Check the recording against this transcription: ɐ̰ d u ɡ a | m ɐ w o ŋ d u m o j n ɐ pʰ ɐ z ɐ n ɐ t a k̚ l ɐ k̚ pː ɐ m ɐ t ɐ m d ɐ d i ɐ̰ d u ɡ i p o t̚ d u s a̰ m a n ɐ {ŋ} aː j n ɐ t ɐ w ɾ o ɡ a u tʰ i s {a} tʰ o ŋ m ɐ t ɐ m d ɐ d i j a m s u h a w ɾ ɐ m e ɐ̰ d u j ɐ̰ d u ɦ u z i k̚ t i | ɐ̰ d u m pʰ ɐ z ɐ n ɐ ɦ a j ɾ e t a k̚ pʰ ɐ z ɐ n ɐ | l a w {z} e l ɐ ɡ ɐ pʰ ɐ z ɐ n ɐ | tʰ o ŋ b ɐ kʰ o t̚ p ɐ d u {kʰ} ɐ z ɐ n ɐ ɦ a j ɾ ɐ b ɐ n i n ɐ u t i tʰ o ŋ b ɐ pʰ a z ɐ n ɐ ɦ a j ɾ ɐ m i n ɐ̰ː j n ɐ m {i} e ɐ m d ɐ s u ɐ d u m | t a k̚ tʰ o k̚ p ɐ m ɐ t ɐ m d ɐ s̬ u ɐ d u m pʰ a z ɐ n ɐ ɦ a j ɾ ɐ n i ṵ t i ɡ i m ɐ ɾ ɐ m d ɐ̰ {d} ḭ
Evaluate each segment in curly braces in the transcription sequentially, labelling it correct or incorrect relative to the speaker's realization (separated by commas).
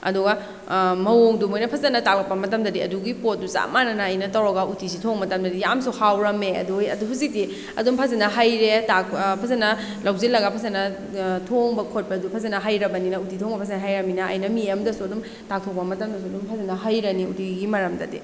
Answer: incorrect, incorrect, correct, incorrect, correct, correct